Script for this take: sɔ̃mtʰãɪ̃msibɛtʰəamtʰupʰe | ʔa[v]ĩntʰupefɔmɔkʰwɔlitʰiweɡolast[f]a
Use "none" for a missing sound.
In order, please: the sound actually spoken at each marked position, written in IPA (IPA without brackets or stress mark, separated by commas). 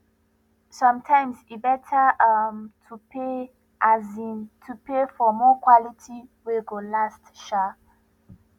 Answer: z, ʃ